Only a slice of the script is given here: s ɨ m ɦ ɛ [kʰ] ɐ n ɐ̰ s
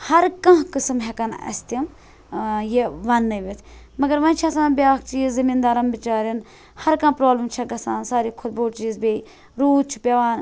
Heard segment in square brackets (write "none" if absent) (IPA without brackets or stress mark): k